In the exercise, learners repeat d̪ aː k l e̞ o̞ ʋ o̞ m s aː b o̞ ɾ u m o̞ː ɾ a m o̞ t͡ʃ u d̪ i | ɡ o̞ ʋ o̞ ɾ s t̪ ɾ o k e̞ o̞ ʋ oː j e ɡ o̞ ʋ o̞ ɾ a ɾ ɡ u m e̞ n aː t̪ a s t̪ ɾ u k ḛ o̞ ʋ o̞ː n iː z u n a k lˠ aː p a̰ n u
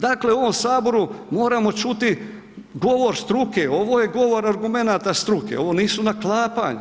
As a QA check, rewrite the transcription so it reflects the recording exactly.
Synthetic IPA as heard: d̪ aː k l e̞ o̞ ʋ o̞ m s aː b o̞ ɾ u m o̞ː ɾ a m o̞ t͡ʃ u t̪ i | ɡ o̞ ʋ o̞ ɾ s t̪ ɾ u k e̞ o̞ ʋ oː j e ɡ o̞ ʋ o̞ ɾ a ɾ ɡ u m e̞ n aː t̪ a s t̪ ɾ u k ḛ o̞ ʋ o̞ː n iː s u n a k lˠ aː p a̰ ɲ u

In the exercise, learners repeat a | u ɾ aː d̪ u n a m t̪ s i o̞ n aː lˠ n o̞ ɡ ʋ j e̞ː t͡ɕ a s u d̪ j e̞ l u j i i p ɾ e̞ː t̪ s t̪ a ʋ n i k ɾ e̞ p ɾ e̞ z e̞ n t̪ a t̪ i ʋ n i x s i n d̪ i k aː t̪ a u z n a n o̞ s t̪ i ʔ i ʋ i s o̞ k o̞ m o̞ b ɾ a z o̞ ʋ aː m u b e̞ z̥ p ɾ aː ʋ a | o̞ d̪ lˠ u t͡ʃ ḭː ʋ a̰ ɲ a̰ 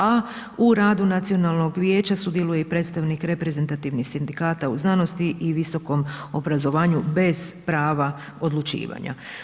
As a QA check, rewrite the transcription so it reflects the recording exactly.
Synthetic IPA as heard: a | u ɾ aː d̪ u n a t̪ s i o̞ n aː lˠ n o̞ ɡ ʋ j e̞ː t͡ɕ a s u d̪ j e̞ l u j e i p ɾ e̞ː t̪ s t̪ a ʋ n i k ɾ e̞ p ɾ e̞ z e̞ n t̪ a t̪ i ʋ n i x s i n d̪ i k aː t̪ a u z n a n o̞ s t̪ i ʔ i ʋ i s o̞ k o̞ m o̞ b ɾ a z o̞ ʋ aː ɲ u b e̞ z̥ p ɾ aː ʋ a | o̞ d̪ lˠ u t͡ʃ ḭː ʋ a̰ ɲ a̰

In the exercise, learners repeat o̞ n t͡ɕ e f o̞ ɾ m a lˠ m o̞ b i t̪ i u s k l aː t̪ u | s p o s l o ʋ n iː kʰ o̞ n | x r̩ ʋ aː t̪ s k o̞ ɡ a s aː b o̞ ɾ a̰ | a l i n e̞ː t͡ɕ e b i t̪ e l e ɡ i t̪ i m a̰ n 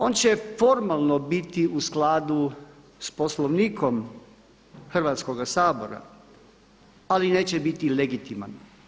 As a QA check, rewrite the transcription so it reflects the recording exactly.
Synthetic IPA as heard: o̞ n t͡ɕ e f o̞ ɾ m a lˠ n o̞ b i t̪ i u s k l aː d̪ u | s p o s l o ʋ n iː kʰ o̞ m | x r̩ ʋ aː t̪ s k o̞ ɡ a s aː b o̞ ɾ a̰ | a l i n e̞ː t͡ɕ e b i t̪ i l e ɡ i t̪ i m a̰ n

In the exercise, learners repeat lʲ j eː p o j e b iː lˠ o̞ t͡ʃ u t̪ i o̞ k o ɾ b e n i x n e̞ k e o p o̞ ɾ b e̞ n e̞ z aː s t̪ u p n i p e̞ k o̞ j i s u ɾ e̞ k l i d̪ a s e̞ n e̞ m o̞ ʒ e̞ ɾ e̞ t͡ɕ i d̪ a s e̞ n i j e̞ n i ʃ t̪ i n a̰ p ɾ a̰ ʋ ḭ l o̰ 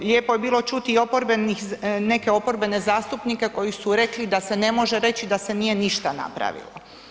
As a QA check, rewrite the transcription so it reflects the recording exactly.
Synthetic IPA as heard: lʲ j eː p o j e b iː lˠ o̞ t͡ʃ u t̪ i o̞ p o ɾ b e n i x n e̞ k e o p o̞ ɾ b e̞ n e̞ z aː s t̪ u p n i k e̞ k o̞ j i s u ɾ e̞ k l i d̪ a s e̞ n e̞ m o̞ ʒ e̞ ɾ e̞ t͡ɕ i d̪ a s e̞ n i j e̞ n i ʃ t̪ a n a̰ p ɾ a̰ ʋ ḭ l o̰

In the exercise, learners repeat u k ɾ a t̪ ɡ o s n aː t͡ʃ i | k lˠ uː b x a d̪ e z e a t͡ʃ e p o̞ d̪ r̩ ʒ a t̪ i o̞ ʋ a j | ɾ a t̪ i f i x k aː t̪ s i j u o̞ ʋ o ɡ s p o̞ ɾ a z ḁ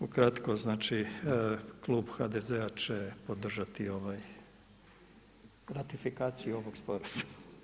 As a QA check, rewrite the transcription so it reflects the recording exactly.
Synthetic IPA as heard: u k ɾ a t̪ k o z n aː t͡ʃ i | k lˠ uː b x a d̪ e z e a t͡ʃ e p o̞ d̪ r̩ ʒ a t̪ i o̞ ʋ a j | ɾ a t̪ i f i k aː t̪ s i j u o̞ ʋ o ɡ s p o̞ ɾ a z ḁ

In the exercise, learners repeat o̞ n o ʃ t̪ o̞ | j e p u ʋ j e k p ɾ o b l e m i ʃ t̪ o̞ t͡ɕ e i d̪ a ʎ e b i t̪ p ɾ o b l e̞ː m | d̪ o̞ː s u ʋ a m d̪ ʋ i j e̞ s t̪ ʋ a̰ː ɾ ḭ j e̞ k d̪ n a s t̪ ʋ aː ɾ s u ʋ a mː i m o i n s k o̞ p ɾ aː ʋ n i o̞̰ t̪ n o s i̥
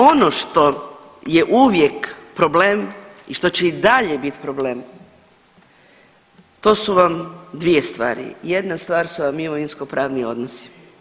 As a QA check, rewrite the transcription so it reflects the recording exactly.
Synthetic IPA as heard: o̞ n o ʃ t̪ o̞ | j e ʔ u ʋ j e k p ɾ o b l e m i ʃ t̪ o̞ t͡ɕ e i d̪ a ʎ e b i t̪ p ɾ o b l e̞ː m | t̪ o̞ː s u ʋ a m d̪ ʋ i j e̞ s t̪ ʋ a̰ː ɾ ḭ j e̞ d̪ n a s t̪ ʋ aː ɾ s u ʋ a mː i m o i n s k o̞ p ɾ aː ʋ n i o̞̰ d̪ n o s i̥

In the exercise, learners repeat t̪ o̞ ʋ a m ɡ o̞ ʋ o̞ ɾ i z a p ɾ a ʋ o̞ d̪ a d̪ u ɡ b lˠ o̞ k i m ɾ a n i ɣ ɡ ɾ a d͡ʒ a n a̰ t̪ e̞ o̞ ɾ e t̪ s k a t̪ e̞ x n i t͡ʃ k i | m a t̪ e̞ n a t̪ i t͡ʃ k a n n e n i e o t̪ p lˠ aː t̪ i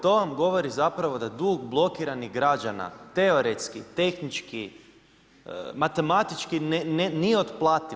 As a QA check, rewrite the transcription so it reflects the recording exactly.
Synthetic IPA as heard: t̪ o̞ ʋ a m ɡ o̞ ʋ o̞ ɾ i z a p ɾ a ʋ o̞ d̪ a d̪ u ɡ b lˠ o̞ k i ɾ a n i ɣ ɡ ɾ a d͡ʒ a n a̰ t̪ e̞ o̞ ɾ e t̪ s k i t̪ e̞ x n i t͡ʃ k i | m a t̪ e̞ m a t̪ i t͡ʃ k i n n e n i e o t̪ p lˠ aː t̪ i

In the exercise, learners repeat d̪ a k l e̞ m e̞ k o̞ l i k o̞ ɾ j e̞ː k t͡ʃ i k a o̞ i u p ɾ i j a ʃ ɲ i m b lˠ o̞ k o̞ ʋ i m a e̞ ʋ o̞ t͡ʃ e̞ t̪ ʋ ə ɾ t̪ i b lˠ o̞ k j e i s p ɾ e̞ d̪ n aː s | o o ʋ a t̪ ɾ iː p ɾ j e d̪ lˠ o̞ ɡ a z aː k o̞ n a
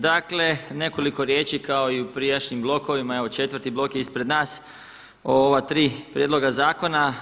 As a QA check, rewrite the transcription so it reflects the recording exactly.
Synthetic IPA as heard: d̪ a k l e̞ n e̞ k o̞ l i k o̞ ɾ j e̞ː t͡ʃ i k a o̞ i u p ɾ i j a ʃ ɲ i m b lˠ o̞ k o̞ ʋ i m a e̞ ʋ o̞ t͡ʃ e̞ t̪ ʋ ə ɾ t̪ i b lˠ o̞ k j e i s p ɾ e̞ d̪ n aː s | o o ʋ a t̪ ɾ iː p ɾ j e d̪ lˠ o̞ ɡ a z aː k o̞ n a

